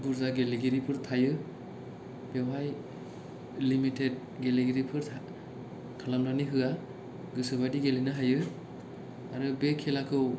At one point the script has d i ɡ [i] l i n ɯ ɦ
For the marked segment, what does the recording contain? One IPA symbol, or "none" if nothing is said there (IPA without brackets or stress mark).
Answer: e